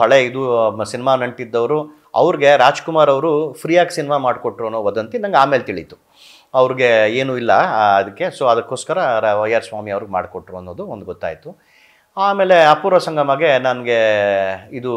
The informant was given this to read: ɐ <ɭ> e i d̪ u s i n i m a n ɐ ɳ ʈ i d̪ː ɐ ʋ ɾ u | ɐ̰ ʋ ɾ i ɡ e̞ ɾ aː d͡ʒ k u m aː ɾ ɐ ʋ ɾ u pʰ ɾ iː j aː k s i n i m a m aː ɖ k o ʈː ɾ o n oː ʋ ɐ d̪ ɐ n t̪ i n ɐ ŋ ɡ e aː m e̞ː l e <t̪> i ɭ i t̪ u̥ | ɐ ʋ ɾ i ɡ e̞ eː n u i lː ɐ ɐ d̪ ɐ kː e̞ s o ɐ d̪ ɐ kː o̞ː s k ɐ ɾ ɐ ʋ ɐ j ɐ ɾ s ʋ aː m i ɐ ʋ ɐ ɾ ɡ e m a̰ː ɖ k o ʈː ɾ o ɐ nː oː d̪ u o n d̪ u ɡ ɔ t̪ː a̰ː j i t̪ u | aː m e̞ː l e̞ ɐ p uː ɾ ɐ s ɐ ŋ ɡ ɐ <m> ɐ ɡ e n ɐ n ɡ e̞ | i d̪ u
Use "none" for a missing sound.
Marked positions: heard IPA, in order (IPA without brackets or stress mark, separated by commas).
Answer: ɭ, t̪, m